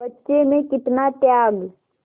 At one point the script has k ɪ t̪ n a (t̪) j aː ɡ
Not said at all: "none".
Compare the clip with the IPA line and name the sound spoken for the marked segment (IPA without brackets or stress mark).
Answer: t̪